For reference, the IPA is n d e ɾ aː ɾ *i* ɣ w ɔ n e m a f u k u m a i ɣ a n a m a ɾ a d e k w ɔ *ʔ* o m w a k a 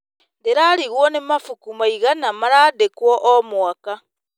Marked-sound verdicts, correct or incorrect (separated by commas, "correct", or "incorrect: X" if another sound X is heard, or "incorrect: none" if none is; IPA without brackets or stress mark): correct, correct